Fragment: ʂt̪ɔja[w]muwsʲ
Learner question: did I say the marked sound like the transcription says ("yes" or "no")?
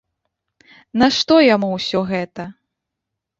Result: no